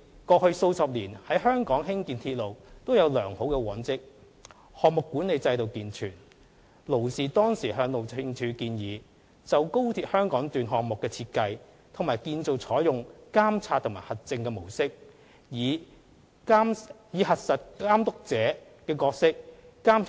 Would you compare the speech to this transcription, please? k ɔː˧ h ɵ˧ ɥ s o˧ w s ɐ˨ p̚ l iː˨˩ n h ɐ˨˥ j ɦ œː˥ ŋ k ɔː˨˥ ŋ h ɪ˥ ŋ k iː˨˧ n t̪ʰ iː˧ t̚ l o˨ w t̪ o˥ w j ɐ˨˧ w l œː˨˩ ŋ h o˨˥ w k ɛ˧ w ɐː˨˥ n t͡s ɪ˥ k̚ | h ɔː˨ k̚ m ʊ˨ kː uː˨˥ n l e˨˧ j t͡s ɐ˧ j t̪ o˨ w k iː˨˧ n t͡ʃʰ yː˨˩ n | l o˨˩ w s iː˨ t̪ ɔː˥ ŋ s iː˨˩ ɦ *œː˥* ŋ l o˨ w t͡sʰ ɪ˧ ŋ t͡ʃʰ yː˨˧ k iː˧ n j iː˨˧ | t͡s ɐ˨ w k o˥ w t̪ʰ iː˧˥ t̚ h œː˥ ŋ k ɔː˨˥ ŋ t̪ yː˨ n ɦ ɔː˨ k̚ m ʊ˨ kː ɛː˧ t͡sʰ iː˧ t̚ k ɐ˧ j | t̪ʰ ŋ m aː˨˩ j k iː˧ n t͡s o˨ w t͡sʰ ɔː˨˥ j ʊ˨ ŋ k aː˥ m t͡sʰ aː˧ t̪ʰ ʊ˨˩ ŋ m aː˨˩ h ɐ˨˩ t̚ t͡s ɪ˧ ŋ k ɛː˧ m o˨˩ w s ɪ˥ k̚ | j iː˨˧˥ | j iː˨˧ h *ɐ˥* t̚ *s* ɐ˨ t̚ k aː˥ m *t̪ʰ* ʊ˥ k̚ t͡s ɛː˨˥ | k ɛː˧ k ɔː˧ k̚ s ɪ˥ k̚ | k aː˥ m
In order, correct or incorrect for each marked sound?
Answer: incorrect: œː˨˧, incorrect: ɐ˨, correct, incorrect: t̪

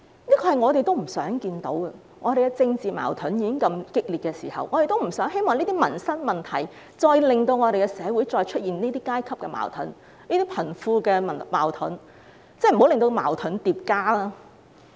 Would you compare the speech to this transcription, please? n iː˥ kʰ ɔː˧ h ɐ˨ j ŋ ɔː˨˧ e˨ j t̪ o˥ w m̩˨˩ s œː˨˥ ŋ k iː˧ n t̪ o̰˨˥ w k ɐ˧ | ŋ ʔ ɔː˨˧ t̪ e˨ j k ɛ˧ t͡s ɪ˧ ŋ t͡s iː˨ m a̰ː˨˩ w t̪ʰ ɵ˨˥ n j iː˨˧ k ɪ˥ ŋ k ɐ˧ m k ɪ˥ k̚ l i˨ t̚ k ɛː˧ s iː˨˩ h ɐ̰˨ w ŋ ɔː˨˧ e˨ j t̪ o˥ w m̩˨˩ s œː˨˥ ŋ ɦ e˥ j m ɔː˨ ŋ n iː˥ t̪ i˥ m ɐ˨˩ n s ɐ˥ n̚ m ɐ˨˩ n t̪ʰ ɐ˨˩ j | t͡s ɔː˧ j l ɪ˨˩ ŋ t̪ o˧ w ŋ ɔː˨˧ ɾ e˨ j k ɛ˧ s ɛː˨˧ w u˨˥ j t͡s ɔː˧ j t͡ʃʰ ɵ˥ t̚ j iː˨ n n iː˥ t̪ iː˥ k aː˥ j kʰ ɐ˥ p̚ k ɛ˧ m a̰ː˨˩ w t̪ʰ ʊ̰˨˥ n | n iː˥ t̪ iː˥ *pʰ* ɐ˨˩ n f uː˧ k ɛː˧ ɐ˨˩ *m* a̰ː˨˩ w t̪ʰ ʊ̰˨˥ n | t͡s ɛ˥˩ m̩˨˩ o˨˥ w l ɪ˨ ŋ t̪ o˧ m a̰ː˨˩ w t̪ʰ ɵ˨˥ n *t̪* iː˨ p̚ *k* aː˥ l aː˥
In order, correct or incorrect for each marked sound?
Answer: correct, correct, correct, correct

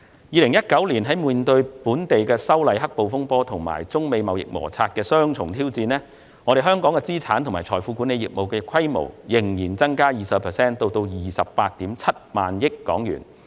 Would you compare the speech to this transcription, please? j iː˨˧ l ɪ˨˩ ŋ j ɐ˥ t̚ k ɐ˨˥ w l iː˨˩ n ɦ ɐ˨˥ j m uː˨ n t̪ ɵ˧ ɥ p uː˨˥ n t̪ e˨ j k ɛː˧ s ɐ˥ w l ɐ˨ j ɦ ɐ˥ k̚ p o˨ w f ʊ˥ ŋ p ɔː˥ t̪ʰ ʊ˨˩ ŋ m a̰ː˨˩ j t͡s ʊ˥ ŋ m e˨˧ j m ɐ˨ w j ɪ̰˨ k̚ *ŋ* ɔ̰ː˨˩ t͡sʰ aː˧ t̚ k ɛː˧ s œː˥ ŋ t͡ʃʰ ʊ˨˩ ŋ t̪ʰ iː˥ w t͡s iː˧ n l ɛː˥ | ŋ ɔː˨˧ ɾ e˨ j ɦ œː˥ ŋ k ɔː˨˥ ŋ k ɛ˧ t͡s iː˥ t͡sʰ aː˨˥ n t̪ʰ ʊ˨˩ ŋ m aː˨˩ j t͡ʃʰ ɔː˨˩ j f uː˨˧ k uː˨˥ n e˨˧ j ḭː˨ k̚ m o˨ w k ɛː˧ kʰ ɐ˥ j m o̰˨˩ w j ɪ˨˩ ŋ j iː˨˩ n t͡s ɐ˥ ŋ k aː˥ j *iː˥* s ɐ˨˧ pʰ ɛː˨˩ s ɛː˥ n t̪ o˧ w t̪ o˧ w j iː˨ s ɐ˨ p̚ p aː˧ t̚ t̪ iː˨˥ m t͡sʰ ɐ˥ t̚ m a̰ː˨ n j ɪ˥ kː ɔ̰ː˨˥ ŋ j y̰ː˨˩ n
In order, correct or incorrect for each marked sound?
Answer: incorrect: m, incorrect: iː˨

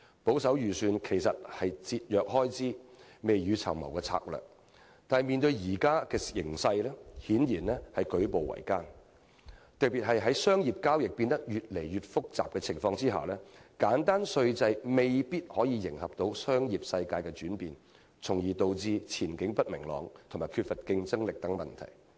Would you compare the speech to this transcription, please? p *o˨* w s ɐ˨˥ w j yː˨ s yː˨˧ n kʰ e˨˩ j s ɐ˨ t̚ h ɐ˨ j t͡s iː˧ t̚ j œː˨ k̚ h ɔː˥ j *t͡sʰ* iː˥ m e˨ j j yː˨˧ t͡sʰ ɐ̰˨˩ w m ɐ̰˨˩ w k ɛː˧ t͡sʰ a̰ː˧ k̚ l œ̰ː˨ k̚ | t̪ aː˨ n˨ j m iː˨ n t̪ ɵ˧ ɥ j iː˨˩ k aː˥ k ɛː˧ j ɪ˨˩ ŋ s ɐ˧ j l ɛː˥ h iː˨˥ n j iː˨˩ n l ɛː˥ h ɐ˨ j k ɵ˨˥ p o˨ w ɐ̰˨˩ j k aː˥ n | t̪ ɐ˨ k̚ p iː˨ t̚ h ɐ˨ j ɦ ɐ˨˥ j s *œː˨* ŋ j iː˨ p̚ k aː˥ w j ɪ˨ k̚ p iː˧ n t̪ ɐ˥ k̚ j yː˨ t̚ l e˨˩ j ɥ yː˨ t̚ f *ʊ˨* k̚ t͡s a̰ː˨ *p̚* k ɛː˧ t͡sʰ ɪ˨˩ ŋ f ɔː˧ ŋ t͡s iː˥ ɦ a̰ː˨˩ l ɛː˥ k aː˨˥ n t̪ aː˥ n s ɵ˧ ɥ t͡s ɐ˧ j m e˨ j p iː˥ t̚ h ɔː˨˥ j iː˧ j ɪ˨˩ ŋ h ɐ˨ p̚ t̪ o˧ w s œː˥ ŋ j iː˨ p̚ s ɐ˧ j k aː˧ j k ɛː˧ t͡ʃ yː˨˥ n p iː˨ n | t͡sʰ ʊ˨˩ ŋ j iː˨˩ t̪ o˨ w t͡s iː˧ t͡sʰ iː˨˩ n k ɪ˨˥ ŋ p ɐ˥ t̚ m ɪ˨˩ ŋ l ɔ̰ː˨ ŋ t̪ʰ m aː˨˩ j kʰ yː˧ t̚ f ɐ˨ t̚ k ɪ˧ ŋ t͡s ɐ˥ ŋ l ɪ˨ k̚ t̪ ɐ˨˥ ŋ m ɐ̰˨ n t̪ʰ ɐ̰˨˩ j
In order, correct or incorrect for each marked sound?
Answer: incorrect: o˨˥, incorrect: t͡s, incorrect: œː˥, incorrect: ʊ˥, correct

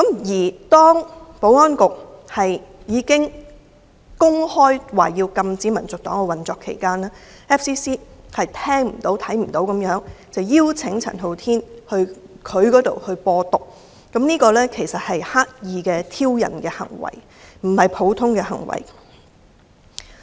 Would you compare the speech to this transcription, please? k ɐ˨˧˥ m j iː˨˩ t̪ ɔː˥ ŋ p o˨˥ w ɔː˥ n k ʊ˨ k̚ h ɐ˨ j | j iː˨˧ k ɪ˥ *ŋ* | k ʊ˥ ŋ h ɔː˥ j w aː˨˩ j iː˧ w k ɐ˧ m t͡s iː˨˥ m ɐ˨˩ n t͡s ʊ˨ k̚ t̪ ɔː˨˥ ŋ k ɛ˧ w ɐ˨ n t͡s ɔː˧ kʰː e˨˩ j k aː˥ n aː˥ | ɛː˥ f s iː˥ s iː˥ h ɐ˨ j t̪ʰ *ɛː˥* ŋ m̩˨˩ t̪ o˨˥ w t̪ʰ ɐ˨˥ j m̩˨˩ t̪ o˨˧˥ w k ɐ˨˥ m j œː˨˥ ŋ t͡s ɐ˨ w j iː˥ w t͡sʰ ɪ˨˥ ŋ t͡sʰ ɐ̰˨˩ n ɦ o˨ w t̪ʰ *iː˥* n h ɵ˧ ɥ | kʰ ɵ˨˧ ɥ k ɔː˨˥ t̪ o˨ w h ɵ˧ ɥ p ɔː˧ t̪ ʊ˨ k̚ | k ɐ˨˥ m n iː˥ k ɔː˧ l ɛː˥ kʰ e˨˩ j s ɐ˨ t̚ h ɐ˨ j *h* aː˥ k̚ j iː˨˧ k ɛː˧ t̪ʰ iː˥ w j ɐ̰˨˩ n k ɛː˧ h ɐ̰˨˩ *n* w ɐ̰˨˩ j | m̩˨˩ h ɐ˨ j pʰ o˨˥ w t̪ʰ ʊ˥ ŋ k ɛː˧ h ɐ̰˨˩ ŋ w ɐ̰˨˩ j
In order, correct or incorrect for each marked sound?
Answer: correct, correct, correct, correct, incorrect: ŋ

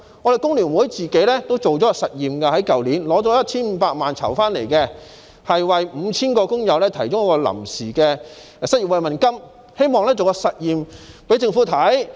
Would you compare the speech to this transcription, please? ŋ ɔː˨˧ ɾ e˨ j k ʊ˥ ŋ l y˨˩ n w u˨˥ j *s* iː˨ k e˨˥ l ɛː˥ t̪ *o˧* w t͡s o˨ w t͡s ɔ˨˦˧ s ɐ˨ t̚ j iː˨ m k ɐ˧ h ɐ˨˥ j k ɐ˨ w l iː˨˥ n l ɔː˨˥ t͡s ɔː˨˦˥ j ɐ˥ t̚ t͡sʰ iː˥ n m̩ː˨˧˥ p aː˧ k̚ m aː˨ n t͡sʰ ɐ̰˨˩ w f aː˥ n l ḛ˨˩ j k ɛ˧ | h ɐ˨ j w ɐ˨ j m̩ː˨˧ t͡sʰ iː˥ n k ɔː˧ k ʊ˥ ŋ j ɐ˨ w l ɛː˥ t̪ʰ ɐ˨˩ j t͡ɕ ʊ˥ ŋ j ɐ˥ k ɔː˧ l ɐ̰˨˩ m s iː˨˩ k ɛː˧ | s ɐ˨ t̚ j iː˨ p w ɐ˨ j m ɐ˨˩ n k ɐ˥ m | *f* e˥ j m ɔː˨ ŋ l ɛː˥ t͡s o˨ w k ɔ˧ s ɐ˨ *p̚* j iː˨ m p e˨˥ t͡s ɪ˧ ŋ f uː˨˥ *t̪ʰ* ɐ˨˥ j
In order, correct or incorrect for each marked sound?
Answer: incorrect: t͡s, incorrect: o˥, incorrect: h, incorrect: t̚, correct

